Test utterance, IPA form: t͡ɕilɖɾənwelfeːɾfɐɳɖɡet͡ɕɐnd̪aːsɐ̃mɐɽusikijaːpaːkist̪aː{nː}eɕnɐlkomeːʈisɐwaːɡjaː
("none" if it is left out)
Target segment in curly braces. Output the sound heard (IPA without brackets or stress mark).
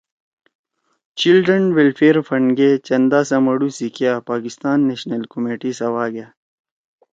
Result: nː